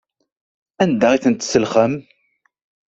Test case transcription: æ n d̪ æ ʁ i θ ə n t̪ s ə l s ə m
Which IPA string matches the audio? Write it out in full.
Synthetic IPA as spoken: æ n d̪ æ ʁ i θ ə n t̪ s ə l χ ə m